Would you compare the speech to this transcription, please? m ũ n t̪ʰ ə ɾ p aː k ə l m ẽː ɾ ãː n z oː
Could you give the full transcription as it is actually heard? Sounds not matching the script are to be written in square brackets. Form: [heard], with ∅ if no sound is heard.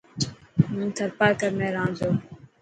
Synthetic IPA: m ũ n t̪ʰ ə ɾ p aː k ə [ɾ] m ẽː ɾ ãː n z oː